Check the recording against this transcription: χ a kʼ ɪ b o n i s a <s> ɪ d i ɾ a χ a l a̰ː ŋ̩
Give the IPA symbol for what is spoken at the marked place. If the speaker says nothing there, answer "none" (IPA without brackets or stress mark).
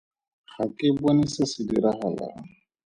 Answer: s